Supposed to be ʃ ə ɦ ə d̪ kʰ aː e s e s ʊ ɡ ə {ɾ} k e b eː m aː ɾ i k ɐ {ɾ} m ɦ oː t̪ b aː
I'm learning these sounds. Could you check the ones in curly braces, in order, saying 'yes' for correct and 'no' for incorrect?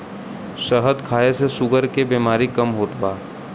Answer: yes, no

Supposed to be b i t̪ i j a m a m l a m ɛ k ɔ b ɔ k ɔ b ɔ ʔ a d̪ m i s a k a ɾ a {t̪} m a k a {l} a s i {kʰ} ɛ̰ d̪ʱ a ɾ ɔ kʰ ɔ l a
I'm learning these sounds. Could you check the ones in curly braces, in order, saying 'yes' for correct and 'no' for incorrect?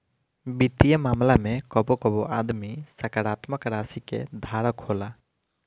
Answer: yes, no, no

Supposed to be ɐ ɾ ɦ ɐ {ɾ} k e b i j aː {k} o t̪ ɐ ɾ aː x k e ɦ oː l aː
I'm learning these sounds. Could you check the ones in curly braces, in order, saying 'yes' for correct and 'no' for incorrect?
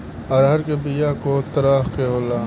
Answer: yes, yes

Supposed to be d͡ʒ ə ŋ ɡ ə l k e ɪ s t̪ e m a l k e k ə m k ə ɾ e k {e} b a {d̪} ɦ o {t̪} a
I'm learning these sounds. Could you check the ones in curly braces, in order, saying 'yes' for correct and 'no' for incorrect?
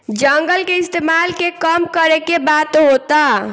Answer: yes, no, yes

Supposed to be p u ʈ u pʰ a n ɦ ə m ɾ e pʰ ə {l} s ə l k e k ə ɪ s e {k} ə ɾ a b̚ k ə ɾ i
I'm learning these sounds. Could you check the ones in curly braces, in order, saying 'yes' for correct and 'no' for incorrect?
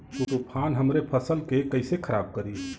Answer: no, no

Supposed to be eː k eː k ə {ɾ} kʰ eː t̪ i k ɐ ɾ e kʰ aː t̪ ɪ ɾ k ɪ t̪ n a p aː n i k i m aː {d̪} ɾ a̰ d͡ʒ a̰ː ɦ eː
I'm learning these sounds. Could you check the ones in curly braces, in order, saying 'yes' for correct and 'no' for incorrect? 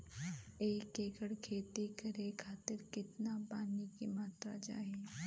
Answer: no, no

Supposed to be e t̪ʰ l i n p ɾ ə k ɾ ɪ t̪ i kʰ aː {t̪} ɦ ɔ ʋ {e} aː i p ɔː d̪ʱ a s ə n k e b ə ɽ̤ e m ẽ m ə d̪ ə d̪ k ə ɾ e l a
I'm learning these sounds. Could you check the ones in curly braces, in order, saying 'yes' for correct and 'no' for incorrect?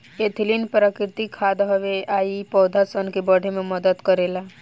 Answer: no, yes

